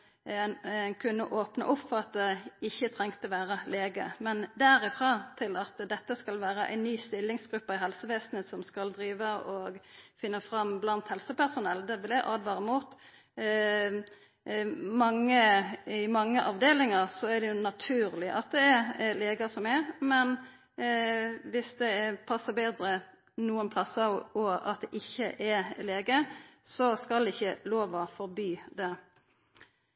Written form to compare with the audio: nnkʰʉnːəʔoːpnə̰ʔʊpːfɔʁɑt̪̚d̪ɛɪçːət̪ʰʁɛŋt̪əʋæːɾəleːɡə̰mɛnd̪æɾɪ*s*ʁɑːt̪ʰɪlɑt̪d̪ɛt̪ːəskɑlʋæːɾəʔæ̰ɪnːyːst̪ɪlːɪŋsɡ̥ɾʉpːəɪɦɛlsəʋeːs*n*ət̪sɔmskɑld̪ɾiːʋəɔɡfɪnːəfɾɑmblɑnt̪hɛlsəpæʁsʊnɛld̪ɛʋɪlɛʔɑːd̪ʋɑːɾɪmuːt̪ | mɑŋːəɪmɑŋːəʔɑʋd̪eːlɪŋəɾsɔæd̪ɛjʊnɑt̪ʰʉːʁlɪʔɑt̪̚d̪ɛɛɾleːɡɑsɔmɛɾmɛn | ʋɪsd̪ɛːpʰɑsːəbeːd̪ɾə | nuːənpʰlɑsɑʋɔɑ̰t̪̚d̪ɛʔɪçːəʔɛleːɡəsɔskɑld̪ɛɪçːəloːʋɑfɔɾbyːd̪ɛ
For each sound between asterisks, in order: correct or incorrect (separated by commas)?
incorrect, correct